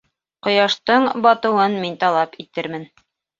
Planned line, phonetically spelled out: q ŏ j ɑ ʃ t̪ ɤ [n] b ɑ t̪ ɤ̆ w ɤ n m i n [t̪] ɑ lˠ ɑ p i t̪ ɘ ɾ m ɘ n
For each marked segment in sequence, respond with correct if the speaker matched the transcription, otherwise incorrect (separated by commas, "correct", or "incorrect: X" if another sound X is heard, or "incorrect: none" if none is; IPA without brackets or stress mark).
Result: incorrect: ɴ, correct